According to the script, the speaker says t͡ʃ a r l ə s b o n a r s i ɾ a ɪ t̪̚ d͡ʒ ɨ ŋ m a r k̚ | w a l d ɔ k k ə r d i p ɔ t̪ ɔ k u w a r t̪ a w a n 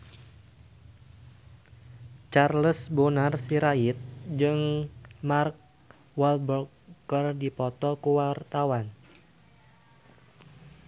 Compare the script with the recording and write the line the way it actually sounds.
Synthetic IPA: t͡ʃ a r l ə s b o n a r s i ɾ a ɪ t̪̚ d͡ʒ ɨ ŋ m a r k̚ | w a l b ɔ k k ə r d i p ɔ t̪ ɔ k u w a r t̪ a w a n